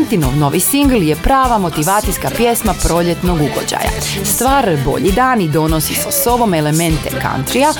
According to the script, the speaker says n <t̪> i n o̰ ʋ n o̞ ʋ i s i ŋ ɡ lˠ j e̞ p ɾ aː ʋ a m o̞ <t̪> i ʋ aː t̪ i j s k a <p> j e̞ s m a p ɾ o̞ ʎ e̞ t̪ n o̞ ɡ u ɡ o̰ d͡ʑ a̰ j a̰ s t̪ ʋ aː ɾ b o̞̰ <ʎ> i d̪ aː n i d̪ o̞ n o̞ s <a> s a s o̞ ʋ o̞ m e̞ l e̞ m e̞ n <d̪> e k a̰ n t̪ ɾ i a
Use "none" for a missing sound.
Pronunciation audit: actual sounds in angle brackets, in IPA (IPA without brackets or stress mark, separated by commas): t̪, t̪, p, ʎ, i, t̪